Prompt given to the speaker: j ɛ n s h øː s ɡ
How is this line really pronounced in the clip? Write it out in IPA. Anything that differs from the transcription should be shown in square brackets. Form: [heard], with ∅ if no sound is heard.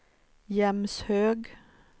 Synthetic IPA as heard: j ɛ [m] s h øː [∅] ɡ

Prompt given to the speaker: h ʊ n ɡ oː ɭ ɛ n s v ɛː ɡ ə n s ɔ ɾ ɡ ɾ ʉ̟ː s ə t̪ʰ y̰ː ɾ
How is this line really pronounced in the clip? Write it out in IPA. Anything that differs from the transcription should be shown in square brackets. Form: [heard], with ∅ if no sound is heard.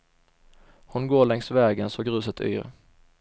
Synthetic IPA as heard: h ʊ n ɡ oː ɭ ɛ [ŋ] s v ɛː ɡ ə n s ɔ [∅] ɡ ɾ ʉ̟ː s ə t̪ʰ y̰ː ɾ

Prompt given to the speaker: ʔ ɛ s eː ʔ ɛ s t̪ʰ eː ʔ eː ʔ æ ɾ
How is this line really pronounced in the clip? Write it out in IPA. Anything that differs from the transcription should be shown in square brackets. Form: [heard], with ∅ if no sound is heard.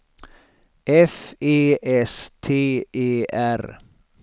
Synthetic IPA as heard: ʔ ɛ [f] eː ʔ ɛ s t̪ʰ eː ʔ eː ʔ æ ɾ

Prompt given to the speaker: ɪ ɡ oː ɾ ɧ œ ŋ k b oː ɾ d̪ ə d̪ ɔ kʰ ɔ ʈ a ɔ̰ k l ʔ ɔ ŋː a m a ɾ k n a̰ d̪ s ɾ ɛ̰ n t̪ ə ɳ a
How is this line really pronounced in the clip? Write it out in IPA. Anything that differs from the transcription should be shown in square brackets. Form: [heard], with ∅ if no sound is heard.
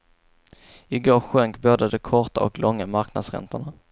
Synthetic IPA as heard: ɪ ɡ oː ɾ ɧ œ ŋ k b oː [∅] d̪ ə d̪ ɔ kʰ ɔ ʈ a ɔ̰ k l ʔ ɔ ŋː a m a ɾ k n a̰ d̪ s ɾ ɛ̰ n t̪ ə ɳ a

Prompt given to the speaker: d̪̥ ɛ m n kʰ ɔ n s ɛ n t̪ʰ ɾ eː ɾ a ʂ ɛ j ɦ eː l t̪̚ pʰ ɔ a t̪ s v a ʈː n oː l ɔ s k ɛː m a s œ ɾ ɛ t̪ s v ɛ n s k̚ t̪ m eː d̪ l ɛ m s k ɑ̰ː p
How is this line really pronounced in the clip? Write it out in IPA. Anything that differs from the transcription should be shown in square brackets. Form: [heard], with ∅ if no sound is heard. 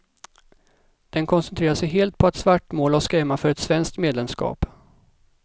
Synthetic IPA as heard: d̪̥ ɛ [∅] n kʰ ɔ n s ɛ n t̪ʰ ɾ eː ɾ a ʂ ɛ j ɦ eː l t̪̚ pʰ ɔ a t̪ s v a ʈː [m] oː l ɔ s k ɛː m a [f] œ ɾ ɛ t̪ s v ɛ n s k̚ t̪ m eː d̪ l ɛ m s k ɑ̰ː p

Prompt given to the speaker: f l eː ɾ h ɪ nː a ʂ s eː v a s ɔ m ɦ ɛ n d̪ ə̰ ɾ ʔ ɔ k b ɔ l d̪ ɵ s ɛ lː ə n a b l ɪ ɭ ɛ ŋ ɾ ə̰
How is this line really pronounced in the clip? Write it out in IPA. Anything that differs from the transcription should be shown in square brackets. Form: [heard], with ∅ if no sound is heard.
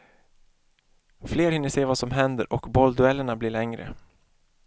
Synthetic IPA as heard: f l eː ɾ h ɪ nː [ə] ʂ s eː v a s ɔ m ɦ ɛ n d̪ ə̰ ɾ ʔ ɔ k b ɔ l d̪ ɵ [∅] ɛ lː ə [ɳ] a b l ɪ ɭ ɛ ŋ ɾ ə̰

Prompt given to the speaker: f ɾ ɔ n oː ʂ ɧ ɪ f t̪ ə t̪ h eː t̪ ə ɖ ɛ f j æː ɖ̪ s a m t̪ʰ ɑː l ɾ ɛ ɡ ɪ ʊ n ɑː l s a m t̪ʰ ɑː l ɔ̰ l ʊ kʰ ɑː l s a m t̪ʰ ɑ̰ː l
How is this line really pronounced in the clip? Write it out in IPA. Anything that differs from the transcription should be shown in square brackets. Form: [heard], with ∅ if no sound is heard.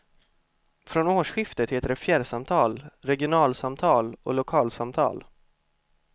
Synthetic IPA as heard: f ɾ ɔ n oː ʂ ɧ ɪ f t̪ ə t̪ h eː t̪ ə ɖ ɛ f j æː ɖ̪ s a m t̪ʰ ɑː l ɾ ɛ ɡ ɪ ʊ n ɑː l s a m t̪ʰ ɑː l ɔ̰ l ʊ kʰ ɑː l s a m t̪ʰ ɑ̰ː l

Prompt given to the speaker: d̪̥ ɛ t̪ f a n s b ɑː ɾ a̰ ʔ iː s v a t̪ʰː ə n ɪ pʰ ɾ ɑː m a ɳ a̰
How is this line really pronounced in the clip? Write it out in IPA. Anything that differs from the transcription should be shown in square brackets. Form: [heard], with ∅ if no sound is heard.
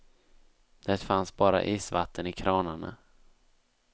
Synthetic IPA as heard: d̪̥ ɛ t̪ f a n s b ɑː ɾ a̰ ʔ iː s v a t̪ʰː ə n ɪ [kʰ] ɾ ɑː [n] a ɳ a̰

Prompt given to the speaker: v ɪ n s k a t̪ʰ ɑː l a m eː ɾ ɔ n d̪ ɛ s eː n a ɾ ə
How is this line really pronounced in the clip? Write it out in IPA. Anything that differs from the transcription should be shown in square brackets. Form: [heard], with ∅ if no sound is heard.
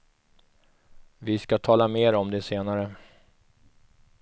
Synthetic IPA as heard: v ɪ [∅] s k a t̪ʰ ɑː l a m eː ɾ ɔ [m] d̪ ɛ s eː n a ɾ ə

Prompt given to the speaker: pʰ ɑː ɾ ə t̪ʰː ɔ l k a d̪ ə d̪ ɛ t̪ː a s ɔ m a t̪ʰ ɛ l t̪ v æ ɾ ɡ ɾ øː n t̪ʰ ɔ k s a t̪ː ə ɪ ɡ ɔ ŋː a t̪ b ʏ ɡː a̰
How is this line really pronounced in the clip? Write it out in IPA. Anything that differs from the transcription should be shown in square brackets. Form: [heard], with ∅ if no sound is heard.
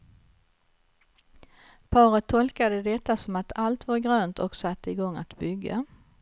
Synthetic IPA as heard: pʰ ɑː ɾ ə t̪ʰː ɔ l k a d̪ ə d̪ ɛ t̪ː a s ɔ m a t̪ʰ [a] l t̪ v [a] ɾ ɡ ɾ øː n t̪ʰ ɔ k s a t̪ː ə ɪ ɡ ɔ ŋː a t̪ b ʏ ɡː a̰

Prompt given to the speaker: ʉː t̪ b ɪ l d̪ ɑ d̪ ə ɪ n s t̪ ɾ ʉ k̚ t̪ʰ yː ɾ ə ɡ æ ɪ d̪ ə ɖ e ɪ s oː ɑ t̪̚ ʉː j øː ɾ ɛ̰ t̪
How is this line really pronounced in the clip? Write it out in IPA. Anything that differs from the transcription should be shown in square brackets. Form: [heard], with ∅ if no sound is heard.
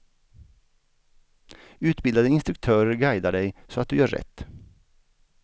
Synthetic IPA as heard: ʉː t̪ b ɪ l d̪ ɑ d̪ ə ɪ n s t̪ ɾ ʉ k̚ t̪ʰ [øː] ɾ ə ɡ æ ɪ d̪ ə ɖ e ɪ s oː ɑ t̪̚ ʉː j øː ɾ ɛ̰ t̪

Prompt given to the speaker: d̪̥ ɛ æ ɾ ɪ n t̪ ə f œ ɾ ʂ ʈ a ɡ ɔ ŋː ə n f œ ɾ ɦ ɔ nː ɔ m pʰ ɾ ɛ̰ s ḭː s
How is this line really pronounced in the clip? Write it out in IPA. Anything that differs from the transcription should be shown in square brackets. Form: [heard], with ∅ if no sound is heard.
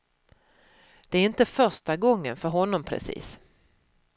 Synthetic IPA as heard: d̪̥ ɛ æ ɾ ɪ n t̪ ə f œ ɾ ʂ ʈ a ɡ ɔ ŋː ə n f œ ɾ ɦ ɔ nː ɔ m pʰ ɾ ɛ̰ s ḭː s

